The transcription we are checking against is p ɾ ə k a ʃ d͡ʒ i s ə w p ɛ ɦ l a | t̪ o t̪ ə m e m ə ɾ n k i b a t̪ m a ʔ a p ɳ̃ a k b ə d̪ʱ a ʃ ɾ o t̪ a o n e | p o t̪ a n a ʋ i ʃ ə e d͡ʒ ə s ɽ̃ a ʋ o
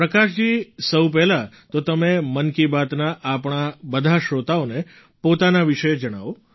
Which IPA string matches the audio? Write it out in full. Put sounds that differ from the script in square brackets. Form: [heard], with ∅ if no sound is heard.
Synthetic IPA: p ɾ ə k a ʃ d͡ʒ i s ə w p ɛ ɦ l a | t̪ o t̪ ə m e m ə [∅] n k i b a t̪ [n] a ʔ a p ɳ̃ a [∅] b ə d̪ʱ a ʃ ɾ o t̪ a o n e | p o t̪ a n a ʋ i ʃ ə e d͡ʒ ə [∅] ɽ̃ a ʋ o